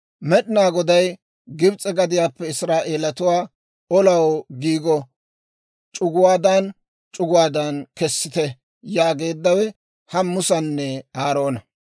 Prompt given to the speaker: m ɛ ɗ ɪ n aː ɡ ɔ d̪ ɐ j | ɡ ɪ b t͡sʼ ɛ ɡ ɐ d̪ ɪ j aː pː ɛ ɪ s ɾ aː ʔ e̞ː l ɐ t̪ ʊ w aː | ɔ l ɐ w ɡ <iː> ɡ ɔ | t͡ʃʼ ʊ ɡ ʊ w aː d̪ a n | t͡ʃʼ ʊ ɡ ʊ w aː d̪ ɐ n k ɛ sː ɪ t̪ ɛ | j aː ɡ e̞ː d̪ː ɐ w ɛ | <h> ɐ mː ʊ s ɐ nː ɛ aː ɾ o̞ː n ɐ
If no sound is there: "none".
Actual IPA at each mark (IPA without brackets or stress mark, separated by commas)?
iː, h